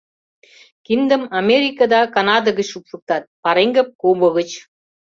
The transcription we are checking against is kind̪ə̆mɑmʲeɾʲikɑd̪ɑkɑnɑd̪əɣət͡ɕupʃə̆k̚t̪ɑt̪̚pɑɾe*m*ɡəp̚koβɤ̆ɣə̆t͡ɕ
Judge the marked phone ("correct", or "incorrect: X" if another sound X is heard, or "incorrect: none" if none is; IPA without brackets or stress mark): incorrect: ŋ